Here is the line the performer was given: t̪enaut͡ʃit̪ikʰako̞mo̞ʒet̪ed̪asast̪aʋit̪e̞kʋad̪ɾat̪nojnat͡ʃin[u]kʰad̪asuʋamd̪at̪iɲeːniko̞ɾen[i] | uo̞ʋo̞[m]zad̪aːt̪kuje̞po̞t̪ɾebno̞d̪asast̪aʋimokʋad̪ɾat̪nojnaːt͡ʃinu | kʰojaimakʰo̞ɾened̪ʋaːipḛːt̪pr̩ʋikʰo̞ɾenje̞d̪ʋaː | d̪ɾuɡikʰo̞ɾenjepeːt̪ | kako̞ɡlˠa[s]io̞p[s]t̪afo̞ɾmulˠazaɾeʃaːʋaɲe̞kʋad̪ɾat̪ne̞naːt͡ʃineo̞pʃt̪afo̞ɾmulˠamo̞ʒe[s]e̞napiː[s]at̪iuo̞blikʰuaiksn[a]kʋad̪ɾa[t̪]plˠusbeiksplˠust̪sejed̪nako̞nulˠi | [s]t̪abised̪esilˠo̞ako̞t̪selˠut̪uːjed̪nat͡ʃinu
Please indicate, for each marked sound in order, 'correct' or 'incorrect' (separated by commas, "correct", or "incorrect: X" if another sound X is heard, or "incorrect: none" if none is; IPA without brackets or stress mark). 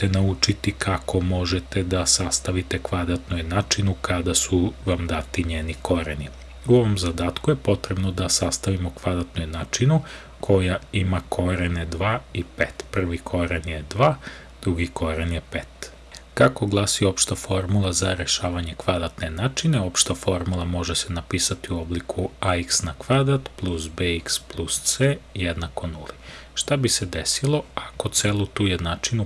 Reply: correct, correct, correct, correct, incorrect: ʃ, correct, correct, correct, correct, incorrect: ʃ